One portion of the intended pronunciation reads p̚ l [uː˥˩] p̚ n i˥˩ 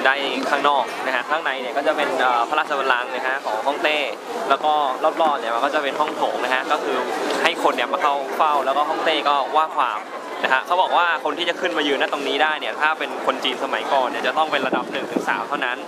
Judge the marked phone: incorrect: ɔː˥˩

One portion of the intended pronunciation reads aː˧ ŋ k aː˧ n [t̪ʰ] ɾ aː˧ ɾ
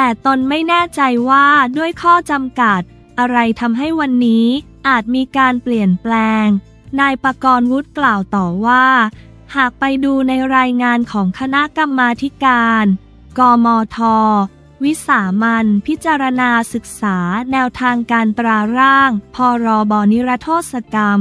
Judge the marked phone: incorrect: t̪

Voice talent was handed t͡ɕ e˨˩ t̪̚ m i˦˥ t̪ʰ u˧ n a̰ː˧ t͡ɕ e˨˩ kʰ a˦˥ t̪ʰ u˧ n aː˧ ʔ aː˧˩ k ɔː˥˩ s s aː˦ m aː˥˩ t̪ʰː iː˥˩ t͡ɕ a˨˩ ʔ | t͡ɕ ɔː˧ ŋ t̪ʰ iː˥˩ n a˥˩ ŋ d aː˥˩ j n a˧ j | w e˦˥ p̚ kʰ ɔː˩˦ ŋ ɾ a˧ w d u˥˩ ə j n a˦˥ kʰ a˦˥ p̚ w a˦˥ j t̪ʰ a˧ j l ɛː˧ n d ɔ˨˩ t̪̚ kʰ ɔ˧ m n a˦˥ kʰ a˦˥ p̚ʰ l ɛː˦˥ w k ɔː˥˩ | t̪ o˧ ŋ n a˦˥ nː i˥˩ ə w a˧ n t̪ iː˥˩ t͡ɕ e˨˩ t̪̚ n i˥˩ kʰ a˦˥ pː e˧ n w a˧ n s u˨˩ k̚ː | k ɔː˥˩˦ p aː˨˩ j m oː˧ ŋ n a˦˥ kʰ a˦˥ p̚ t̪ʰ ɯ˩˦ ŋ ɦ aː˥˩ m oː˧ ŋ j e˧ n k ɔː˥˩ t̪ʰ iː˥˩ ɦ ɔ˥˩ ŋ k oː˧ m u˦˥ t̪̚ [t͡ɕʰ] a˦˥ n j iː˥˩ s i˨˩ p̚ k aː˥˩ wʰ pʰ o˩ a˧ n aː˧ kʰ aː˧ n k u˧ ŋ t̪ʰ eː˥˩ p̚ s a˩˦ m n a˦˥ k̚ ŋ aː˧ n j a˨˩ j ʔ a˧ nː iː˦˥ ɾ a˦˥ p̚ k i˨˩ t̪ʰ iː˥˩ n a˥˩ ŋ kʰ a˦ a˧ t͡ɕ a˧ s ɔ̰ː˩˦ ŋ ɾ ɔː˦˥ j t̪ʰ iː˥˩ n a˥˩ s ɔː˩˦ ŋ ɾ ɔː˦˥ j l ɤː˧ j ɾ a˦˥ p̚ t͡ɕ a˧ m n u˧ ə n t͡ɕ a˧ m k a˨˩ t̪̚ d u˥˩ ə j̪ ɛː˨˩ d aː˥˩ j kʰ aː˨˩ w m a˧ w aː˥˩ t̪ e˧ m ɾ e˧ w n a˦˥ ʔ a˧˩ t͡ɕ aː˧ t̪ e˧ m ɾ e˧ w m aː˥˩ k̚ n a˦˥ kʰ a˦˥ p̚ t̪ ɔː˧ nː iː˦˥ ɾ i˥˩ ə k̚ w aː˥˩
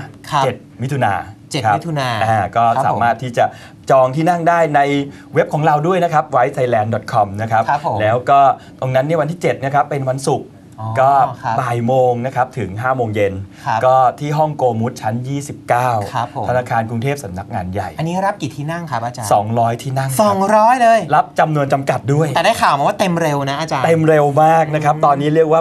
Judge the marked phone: correct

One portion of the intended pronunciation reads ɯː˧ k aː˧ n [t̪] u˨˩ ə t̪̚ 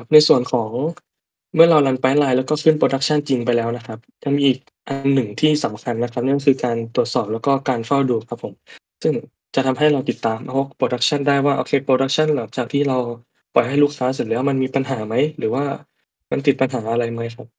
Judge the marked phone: correct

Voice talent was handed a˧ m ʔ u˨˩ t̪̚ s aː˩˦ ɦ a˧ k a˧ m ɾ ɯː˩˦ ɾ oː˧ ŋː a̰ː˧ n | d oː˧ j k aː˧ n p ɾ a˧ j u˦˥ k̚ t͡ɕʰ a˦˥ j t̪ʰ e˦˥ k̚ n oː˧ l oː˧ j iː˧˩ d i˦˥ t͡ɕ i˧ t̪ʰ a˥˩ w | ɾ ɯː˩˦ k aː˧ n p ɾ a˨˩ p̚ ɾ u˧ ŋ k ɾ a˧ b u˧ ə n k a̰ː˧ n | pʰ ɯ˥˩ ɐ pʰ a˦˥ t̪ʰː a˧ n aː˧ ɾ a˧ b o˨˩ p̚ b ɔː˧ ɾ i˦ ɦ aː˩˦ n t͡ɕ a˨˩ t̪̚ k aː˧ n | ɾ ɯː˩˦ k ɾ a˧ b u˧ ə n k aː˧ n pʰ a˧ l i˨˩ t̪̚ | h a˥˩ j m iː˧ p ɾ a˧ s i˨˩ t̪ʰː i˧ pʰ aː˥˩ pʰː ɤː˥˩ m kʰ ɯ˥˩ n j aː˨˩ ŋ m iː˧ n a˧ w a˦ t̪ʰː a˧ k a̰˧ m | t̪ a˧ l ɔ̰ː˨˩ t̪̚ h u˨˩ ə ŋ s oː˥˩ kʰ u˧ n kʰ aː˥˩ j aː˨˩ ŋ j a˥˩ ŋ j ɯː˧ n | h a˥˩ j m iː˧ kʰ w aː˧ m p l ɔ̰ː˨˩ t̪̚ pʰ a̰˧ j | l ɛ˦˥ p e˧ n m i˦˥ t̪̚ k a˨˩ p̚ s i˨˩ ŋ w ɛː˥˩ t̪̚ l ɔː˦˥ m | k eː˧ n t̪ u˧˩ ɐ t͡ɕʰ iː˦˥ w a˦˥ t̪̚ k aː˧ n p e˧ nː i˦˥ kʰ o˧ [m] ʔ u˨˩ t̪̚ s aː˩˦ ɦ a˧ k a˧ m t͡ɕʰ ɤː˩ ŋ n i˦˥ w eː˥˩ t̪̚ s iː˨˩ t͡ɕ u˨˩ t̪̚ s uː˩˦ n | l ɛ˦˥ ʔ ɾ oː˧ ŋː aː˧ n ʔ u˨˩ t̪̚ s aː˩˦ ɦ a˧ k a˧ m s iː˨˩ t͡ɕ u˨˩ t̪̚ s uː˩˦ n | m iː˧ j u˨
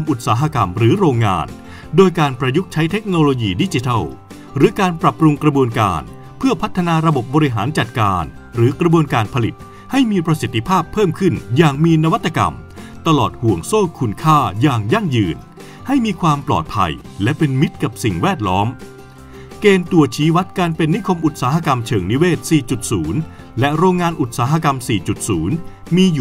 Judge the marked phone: correct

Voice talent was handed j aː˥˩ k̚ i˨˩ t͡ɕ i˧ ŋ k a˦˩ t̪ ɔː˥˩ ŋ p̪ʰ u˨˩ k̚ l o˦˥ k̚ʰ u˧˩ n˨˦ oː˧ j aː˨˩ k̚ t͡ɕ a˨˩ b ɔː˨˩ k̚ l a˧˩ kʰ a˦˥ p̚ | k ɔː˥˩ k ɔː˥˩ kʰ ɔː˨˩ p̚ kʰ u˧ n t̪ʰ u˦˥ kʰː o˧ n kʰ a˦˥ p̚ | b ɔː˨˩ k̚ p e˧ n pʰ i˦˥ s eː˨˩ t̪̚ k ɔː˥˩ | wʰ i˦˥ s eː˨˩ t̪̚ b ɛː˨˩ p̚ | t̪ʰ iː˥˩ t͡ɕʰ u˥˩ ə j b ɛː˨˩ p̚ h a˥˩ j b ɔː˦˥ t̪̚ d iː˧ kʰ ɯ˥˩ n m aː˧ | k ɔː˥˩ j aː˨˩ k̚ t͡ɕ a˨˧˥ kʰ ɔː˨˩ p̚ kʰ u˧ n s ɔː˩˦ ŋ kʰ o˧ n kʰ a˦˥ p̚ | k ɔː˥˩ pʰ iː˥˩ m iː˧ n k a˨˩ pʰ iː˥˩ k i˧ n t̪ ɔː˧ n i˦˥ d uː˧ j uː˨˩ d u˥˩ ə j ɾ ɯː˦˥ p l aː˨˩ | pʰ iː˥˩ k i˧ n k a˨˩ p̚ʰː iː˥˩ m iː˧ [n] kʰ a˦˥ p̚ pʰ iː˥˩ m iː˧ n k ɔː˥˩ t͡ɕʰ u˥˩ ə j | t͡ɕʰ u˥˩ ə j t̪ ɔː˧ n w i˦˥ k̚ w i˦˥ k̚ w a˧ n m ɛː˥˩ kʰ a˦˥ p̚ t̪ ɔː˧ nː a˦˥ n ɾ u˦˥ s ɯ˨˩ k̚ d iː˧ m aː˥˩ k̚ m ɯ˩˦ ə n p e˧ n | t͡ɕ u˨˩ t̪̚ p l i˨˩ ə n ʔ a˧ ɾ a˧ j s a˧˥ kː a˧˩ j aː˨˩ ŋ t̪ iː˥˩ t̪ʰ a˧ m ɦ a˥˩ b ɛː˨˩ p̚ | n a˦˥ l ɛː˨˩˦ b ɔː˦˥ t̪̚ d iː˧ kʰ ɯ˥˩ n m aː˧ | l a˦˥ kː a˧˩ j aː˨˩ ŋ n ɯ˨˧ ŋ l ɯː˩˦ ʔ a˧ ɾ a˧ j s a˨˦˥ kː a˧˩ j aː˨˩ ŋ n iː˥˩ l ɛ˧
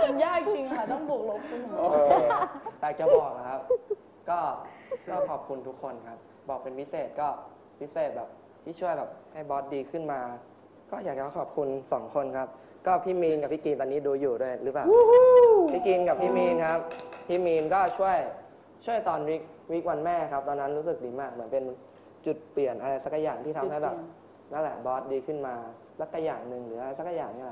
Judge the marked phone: correct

